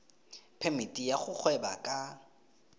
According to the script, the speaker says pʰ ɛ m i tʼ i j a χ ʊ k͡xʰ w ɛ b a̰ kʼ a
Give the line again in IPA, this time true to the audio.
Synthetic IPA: pʰ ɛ m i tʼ i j a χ ʊ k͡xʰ w ɛ b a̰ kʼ a